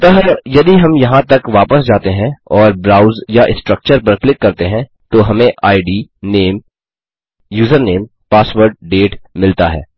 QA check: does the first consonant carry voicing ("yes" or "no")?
no